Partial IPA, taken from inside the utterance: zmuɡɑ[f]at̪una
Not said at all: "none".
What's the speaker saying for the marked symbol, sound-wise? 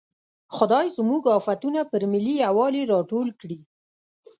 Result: f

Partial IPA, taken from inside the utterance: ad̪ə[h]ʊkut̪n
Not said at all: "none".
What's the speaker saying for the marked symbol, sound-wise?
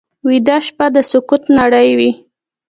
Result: s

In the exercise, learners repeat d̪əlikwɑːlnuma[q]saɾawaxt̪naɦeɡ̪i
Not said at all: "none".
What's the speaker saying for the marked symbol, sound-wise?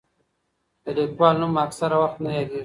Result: k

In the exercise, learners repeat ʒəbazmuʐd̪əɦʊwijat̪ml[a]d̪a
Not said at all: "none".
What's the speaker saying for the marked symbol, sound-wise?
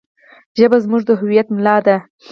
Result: ɑ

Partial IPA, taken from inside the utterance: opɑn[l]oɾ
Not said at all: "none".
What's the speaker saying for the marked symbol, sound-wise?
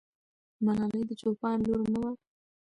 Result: l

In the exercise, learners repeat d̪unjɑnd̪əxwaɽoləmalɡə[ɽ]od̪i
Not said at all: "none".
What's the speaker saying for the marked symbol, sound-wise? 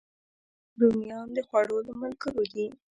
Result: ɾ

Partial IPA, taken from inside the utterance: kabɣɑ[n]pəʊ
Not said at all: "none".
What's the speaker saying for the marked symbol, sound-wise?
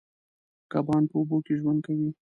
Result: n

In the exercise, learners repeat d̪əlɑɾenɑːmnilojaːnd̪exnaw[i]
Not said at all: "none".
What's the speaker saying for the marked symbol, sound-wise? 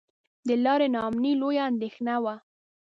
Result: a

